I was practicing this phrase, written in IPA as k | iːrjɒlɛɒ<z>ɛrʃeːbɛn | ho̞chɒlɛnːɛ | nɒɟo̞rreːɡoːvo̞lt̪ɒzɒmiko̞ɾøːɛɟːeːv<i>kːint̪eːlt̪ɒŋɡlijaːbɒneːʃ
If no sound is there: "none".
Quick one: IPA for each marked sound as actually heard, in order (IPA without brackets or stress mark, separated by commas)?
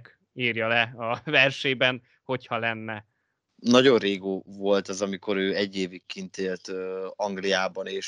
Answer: v, i